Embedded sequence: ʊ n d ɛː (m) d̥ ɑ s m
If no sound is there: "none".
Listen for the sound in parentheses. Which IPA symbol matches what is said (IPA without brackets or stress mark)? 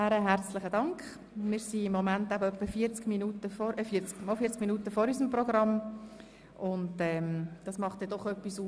m